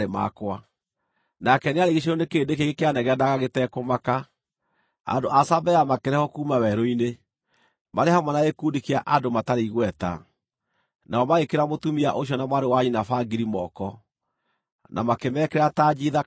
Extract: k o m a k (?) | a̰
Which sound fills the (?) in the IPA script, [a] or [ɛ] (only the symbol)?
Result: a